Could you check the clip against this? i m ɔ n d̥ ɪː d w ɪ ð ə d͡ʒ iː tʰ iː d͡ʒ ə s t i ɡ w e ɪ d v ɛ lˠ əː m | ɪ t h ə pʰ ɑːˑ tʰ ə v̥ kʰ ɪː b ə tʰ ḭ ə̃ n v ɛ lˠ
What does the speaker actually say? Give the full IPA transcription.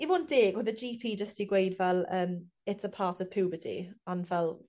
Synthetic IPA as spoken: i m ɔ n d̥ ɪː ɡ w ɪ ð ə d͡ʒ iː pʰ iː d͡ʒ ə s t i ɡ w e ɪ d v ɛ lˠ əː m | ɪ t s ə pʰ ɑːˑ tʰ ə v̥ pʰ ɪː b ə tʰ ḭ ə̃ n v ɛ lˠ